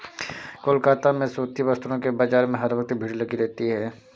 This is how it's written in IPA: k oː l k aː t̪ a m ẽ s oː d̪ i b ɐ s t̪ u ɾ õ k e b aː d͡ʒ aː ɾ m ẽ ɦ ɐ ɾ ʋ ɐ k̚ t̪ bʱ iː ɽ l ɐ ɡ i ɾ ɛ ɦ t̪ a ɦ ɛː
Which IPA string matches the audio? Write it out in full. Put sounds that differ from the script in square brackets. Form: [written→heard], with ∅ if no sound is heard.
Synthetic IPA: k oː l k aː t̪ a m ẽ s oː [d̪→t̪] i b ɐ s t̪ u ɾ õ k e b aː d͡ʒ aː ɾ m ẽ ɦ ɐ ɾ ʋ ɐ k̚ t̪ bʱ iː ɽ l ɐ ɡ i ɾ ɛ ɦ t̪ [a→i] ɦ ɛː